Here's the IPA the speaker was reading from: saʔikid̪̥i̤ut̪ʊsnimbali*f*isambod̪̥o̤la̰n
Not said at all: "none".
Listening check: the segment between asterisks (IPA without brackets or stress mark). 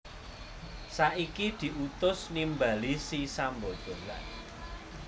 s